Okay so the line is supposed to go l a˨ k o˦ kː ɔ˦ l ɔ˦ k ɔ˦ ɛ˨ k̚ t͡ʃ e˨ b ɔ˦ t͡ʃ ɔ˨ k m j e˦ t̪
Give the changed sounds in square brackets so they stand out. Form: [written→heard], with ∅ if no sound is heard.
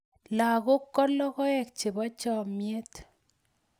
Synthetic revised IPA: l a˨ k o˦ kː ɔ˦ l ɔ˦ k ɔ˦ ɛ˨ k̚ t͡ʃ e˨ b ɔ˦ t͡ʃ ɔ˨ [k→∅] m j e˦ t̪